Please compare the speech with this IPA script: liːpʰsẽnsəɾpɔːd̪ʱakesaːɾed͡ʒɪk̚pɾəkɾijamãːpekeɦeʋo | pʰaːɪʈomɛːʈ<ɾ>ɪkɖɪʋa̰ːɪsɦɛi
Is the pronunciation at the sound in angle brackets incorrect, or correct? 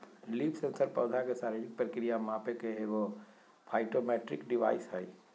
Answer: correct